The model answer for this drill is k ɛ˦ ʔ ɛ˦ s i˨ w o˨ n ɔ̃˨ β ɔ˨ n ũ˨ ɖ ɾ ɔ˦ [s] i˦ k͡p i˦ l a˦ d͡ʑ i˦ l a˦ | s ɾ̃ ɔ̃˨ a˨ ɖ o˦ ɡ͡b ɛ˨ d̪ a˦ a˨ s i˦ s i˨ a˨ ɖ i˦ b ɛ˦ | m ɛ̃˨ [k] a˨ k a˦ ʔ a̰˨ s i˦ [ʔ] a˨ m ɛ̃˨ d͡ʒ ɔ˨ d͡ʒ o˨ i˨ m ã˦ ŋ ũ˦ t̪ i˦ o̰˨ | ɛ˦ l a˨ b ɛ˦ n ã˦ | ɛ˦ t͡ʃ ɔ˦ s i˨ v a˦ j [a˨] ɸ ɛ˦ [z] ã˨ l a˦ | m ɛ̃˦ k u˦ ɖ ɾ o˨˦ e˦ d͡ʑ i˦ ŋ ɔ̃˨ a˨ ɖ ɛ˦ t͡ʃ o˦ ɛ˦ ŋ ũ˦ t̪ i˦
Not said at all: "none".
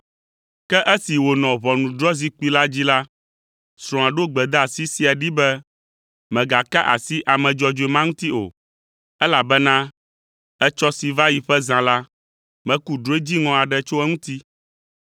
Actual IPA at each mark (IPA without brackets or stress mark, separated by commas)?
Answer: z, ɡ, ʔ, i˨, z